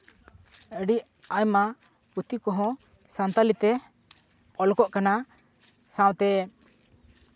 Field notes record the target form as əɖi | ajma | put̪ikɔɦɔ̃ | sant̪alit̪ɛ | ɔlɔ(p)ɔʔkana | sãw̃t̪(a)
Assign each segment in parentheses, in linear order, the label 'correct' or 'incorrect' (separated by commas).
incorrect, incorrect